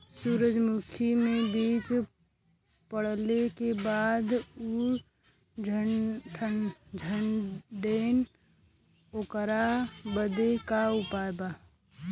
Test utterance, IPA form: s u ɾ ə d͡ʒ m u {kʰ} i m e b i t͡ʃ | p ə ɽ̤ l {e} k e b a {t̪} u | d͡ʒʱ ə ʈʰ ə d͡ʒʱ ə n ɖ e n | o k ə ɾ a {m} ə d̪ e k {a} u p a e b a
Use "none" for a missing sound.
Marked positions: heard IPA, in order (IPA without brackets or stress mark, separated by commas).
kʰ, e, d̪, b, a